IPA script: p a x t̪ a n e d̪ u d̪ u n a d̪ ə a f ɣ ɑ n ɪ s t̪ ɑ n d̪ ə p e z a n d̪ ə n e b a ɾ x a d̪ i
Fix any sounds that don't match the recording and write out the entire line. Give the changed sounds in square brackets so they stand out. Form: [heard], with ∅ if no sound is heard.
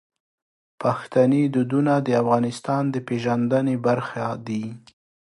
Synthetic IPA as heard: p a x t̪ a n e d̪ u d̪ u n a d̪ ə a f ɣ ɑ n ɪ s t̪ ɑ n d̪ ə p e [ʒ] a n d̪ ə n e b a ɾ x a d̪ i